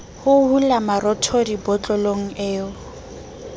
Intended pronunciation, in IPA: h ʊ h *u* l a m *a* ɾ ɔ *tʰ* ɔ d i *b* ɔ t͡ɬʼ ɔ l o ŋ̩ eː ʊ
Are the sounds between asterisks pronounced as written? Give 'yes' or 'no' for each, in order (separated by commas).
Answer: yes, yes, yes, yes